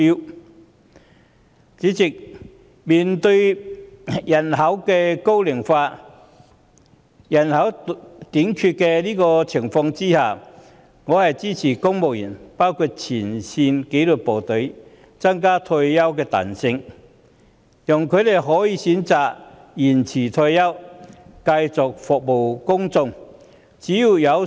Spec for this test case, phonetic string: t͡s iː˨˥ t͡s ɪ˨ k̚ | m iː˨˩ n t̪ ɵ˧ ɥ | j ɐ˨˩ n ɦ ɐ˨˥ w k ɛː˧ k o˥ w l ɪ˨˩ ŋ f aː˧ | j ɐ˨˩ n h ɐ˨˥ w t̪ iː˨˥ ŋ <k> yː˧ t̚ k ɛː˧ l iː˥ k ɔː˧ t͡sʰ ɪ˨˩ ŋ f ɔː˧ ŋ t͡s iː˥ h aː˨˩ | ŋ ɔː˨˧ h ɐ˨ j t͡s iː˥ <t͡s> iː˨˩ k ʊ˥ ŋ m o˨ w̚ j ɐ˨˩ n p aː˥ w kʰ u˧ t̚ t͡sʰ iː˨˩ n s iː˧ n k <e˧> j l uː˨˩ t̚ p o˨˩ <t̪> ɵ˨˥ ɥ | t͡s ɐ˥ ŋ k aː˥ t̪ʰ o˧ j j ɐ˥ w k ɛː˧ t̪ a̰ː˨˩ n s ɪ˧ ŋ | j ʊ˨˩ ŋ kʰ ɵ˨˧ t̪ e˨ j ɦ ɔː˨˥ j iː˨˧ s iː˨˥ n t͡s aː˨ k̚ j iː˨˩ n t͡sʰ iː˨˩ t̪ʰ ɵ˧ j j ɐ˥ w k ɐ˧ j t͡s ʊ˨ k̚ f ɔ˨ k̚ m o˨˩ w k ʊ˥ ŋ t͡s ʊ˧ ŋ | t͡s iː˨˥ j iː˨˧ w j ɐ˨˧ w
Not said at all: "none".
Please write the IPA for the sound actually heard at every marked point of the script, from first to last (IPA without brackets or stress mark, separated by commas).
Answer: kʰ, t͡sʰ, e˨˥, t̪